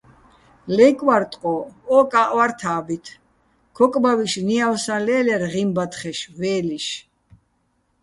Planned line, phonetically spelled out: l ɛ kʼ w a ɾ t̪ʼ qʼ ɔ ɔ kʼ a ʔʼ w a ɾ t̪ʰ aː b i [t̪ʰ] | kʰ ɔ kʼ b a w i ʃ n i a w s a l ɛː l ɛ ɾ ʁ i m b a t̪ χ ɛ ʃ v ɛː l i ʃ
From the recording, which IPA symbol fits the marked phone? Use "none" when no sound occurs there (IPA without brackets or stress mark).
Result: t̪ʰ